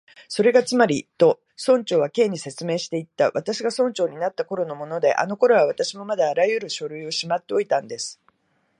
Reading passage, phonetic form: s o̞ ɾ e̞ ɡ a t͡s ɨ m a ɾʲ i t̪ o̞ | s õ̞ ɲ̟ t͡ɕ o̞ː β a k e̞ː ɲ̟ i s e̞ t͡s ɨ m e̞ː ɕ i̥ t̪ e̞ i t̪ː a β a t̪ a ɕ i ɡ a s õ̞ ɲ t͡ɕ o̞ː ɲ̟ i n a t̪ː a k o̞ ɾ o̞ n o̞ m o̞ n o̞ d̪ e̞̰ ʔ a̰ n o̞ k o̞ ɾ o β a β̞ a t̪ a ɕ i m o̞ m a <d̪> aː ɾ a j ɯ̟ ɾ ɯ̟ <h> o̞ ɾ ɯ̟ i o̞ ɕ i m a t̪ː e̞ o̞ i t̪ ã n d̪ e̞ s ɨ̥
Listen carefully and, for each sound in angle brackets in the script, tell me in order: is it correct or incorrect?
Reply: correct, incorrect: ɕ

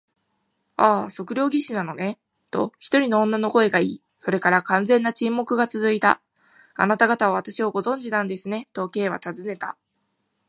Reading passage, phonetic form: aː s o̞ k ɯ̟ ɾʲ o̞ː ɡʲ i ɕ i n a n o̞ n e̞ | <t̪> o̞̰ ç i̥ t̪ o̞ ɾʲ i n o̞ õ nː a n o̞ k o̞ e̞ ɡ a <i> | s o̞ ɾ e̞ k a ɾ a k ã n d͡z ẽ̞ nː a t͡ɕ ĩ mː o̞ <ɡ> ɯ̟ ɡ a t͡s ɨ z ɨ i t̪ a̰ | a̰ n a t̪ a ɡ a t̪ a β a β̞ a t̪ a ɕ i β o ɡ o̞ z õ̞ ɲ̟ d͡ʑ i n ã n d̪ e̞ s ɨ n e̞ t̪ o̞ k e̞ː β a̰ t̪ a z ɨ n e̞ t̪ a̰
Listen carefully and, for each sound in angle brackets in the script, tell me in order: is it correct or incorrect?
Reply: correct, incorrect: iː, incorrect: k

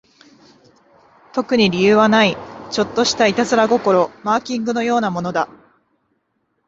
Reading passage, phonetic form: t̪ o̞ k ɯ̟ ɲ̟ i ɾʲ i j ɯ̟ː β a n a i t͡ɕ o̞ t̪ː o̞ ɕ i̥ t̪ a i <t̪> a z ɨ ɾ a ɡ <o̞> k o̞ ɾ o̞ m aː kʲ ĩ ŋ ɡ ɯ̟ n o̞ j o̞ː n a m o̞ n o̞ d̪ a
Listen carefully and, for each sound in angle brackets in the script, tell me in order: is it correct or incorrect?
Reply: correct, correct

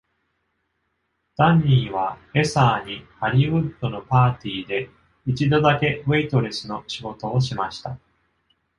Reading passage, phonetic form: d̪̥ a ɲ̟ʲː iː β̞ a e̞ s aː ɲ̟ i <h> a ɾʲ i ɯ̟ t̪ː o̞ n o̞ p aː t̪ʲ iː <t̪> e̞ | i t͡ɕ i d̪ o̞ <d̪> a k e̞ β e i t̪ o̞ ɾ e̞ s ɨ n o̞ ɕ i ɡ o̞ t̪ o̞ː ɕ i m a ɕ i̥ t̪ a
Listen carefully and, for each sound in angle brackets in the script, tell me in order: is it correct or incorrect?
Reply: correct, incorrect: d̪, correct

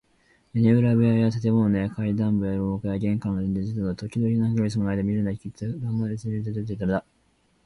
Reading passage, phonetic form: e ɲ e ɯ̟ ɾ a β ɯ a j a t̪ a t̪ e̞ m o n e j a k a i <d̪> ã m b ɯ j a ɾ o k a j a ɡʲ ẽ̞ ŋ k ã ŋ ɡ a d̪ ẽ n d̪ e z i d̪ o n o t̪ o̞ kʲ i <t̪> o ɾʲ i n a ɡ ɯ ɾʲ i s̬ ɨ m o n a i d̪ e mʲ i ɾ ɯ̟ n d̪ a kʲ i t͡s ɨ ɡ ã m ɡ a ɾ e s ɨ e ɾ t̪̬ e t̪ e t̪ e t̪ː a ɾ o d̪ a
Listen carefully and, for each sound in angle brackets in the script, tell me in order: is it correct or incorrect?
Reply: correct, incorrect: d̪

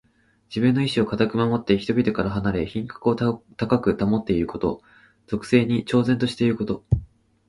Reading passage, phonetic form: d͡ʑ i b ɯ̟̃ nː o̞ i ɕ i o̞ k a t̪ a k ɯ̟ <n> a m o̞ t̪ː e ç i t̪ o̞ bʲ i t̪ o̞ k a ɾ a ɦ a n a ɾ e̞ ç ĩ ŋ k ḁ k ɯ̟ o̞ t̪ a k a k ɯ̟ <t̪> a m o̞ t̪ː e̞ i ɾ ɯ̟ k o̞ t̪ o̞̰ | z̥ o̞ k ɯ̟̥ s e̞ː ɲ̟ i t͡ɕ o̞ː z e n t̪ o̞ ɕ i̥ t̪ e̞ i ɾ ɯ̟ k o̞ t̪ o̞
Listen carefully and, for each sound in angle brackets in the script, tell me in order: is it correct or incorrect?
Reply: incorrect: m, correct

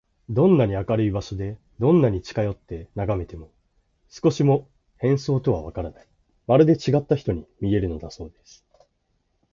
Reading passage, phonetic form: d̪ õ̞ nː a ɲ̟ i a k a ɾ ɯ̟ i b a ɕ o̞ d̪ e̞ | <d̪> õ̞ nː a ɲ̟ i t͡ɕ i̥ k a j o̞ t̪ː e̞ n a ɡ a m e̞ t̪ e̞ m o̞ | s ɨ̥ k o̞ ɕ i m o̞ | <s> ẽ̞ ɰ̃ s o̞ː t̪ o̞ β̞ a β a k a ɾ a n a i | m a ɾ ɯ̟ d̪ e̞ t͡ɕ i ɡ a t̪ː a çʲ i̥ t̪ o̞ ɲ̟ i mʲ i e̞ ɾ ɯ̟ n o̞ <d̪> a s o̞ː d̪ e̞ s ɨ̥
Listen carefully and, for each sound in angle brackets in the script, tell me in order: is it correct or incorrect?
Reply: correct, incorrect: h, correct

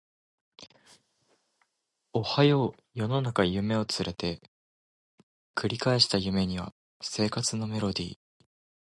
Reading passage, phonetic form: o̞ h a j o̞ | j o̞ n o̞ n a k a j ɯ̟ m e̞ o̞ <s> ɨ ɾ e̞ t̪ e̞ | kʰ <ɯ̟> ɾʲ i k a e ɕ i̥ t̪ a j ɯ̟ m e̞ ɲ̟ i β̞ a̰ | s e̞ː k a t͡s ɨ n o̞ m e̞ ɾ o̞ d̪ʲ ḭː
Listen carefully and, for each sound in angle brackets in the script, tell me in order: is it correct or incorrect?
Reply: incorrect: t͡s, correct

